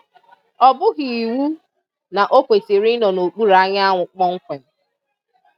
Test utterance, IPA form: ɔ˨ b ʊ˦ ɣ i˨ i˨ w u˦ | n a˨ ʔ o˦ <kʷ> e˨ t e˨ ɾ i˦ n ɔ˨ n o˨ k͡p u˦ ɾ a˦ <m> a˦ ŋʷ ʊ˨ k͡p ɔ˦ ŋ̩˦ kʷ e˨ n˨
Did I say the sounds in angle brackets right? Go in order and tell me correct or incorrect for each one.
correct, incorrect: ɲ

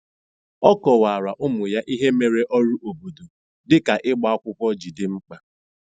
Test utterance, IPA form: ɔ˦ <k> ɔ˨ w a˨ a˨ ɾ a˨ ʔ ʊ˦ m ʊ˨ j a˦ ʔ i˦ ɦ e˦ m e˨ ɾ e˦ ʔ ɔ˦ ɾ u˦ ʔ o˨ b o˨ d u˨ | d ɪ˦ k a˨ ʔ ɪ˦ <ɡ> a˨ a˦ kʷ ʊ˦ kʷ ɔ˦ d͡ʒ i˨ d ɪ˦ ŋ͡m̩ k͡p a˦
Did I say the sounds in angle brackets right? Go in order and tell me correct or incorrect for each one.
correct, incorrect: ɡ͡b

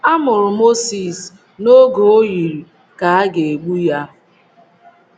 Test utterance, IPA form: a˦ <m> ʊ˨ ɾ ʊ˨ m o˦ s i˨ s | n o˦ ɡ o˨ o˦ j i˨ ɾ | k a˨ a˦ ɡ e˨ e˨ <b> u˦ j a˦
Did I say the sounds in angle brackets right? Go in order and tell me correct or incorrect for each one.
correct, incorrect: ɡ͡b

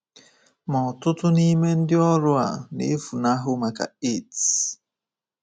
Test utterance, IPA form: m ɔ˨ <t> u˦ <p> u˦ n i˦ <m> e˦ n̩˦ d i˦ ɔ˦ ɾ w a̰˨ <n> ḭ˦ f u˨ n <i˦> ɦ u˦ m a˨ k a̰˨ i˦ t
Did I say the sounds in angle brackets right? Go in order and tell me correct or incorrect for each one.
correct, incorrect: t, correct, correct, incorrect: a˦

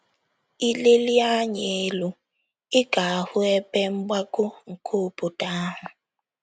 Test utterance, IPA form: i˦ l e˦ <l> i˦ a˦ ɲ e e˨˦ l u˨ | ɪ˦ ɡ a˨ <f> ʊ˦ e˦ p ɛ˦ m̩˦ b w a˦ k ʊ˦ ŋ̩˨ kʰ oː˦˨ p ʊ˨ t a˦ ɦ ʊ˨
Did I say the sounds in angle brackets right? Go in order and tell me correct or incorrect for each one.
correct, incorrect: h

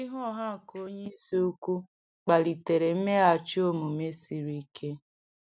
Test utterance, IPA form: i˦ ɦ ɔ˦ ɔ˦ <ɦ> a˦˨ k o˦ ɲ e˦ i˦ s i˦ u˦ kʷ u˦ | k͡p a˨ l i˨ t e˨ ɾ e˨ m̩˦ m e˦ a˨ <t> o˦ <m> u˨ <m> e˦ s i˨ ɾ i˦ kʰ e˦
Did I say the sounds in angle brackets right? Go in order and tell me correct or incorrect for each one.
correct, incorrect: t͡ʃ, correct, correct

